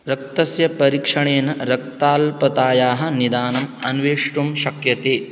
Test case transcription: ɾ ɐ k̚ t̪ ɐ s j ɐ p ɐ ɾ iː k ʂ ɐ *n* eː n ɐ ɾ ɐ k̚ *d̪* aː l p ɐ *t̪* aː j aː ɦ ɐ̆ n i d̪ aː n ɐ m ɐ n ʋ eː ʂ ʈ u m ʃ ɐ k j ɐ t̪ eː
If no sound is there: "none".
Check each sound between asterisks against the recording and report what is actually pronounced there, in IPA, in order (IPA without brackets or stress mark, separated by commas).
ɳ, t̪, t̪